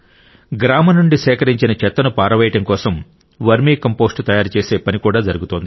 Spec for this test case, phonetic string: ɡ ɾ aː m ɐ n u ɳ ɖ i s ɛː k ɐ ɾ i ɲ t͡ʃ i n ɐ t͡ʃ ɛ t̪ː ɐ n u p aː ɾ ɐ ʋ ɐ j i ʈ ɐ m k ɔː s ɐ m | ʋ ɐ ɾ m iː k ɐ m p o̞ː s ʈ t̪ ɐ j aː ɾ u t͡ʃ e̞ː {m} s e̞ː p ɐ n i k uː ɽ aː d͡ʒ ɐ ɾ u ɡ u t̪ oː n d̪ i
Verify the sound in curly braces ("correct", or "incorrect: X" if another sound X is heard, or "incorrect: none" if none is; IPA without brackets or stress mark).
incorrect: none